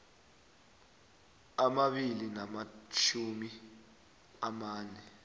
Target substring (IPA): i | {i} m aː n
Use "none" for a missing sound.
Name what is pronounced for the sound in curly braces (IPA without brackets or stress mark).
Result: a